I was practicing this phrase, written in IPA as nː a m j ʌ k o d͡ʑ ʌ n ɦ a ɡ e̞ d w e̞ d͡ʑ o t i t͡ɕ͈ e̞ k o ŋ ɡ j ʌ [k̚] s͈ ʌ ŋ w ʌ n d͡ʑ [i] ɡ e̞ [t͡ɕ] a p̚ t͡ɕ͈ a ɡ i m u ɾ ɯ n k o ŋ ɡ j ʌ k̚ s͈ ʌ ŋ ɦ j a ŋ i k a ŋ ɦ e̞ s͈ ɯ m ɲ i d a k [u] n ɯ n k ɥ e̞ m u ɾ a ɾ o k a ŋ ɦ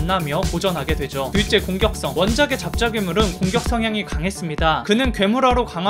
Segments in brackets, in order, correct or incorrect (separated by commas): correct, incorrect, correct, incorrect